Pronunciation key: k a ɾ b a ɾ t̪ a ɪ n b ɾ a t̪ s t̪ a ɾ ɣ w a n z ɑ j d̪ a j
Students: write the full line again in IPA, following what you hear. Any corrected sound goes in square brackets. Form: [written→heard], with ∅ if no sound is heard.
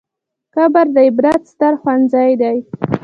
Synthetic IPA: k a [ɾ→∅] b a ɾ [t̪→d̪] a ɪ [n→∅] b ɾ a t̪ s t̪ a ɾ [ɣ→x] w a n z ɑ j d̪ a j

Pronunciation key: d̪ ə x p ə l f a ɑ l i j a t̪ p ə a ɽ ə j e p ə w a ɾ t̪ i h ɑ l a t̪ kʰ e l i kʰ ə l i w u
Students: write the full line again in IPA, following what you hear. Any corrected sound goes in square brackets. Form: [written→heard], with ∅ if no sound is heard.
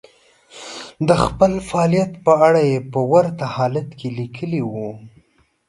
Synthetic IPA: d̪ ə x p ə l f a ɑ l i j a t̪ p ə a ɽ [ə→a] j e p ə w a ɾ t̪ [i→a] h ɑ l a t̪ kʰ e l i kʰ ə l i w u

